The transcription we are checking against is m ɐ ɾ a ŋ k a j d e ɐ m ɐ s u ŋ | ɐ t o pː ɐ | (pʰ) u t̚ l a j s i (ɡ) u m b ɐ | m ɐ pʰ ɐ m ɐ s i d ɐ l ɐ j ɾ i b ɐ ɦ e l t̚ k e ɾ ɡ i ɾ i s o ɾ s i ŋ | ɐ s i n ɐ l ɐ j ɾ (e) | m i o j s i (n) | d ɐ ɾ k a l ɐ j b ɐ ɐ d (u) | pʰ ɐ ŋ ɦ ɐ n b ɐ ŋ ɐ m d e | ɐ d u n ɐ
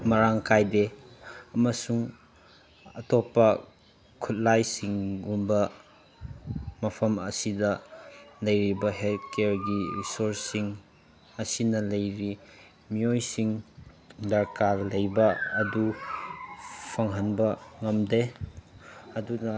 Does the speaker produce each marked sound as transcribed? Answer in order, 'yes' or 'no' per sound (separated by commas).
no, no, no, no, yes